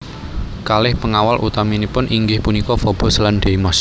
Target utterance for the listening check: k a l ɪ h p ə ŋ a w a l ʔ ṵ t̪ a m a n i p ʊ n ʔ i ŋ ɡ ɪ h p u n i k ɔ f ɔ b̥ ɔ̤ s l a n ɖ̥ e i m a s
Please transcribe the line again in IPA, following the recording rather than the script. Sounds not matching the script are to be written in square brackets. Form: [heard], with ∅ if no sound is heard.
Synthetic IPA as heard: k a l ɪ h p ə ŋ a w a l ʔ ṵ t̪ a m [i] n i p ʊ n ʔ i ŋ ɡ ɪ h p u n i k ɔ f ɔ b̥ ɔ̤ s l a n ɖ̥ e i m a s

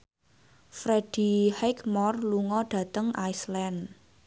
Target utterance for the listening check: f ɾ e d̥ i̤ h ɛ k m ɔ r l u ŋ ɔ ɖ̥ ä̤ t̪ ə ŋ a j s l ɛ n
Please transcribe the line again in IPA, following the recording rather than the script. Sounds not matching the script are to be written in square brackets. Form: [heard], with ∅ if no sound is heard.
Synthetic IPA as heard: f ɾ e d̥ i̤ h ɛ k m ɔ r l u ŋ ɔ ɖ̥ ä̤ t̪ ə ŋ a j s l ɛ n

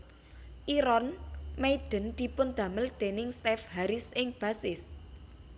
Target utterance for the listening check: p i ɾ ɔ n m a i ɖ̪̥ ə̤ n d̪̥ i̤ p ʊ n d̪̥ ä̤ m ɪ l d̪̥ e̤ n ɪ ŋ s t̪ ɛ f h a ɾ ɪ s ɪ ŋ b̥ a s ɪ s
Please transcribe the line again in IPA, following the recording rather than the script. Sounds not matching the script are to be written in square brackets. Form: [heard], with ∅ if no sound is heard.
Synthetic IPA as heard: [ʔ] i ɾ ɔ n m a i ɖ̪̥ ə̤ n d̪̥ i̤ p ʊ n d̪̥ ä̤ m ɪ l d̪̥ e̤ n ɪ ŋ s t̪ ɛ f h a ɾ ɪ s ɪ ŋ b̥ a s ɪ s

